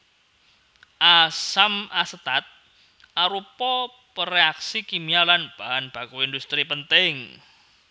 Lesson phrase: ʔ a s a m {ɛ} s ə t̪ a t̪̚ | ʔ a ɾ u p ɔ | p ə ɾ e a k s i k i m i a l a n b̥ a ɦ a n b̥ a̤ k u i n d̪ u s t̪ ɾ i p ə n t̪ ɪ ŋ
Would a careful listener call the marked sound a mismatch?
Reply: yes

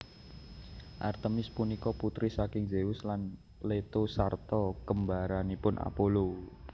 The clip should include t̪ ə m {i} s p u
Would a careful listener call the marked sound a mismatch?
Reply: yes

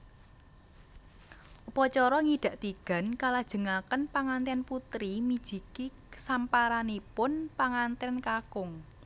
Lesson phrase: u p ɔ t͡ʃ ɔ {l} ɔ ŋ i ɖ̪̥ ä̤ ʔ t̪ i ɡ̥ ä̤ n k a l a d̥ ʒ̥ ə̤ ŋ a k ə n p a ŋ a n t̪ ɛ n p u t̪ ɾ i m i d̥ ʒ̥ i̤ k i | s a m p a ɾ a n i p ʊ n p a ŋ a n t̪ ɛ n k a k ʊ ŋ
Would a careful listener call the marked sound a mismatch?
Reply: yes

